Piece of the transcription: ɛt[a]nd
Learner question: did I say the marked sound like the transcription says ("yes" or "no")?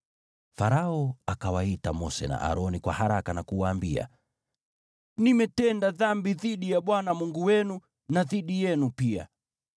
no